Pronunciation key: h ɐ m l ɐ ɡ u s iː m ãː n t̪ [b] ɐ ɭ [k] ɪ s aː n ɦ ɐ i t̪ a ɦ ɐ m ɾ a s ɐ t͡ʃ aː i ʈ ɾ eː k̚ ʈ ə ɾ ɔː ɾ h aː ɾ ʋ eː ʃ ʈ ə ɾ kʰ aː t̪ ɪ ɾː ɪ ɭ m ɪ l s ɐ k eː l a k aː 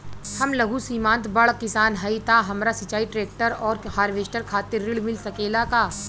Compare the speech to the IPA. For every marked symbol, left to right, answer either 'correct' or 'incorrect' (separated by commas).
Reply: correct, correct